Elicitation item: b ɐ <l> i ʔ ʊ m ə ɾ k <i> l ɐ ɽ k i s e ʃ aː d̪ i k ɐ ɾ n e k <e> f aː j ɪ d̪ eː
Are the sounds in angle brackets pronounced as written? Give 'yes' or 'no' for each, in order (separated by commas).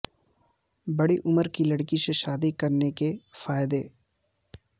no, yes, yes